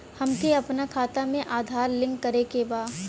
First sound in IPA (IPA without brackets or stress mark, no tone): h